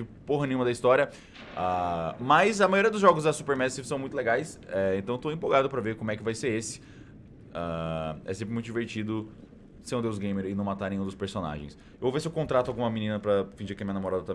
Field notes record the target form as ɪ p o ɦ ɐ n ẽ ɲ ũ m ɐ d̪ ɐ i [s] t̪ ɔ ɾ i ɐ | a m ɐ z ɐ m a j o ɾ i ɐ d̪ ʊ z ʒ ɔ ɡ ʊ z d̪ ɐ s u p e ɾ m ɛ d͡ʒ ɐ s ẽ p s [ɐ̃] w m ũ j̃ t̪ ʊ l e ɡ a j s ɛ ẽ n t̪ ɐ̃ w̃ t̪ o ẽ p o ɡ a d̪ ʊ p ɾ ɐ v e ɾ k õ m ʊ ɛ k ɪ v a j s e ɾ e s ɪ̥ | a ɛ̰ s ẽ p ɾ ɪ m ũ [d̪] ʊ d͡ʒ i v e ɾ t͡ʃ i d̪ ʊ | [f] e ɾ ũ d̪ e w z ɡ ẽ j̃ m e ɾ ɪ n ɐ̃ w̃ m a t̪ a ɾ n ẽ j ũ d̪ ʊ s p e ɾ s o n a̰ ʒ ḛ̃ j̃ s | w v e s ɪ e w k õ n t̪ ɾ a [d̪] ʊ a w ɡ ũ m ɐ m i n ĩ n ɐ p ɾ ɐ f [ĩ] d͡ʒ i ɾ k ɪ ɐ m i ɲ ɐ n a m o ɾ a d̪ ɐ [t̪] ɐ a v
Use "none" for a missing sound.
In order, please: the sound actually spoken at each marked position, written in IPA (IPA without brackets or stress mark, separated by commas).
s, ɐ̃, t̪, s, t̪, ĩ, t̪